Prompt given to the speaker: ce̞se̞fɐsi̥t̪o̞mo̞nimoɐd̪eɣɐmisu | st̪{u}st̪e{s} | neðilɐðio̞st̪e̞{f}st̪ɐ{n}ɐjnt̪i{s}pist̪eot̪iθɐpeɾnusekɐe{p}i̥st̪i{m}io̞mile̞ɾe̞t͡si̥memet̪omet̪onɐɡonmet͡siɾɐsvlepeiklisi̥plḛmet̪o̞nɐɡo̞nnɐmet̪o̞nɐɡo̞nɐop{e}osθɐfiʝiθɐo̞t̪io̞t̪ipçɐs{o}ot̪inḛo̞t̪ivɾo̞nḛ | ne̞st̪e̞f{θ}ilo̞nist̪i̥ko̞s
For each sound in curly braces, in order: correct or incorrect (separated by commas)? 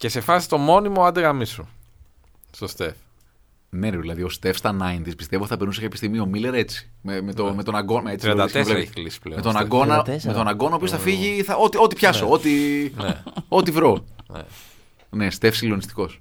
incorrect, incorrect, correct, correct, correct, correct, correct, incorrect, correct, incorrect